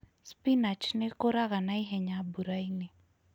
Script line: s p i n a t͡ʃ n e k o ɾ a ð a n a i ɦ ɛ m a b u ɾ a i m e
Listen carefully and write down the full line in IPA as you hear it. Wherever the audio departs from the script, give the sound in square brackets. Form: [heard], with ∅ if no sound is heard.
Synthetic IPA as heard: s p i n a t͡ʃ n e k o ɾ a [ɣ] a n a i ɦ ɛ [ɲ] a b u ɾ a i [n] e